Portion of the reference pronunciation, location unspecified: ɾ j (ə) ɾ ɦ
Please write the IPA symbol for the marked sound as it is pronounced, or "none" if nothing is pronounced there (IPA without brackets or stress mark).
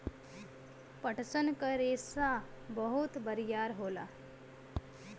a